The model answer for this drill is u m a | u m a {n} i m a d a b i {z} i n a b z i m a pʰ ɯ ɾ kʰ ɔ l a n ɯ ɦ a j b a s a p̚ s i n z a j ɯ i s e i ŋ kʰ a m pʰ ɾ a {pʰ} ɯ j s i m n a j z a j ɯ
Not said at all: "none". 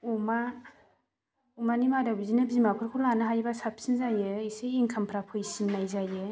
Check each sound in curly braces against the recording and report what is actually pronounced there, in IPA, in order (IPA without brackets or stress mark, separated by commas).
n, z, pʰ